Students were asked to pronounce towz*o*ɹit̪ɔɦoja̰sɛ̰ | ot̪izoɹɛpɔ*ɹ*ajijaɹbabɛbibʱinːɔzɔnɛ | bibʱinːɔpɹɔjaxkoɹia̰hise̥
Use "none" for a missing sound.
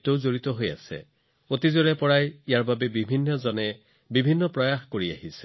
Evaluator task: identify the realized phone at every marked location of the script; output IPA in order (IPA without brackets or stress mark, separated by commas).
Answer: o, ɹ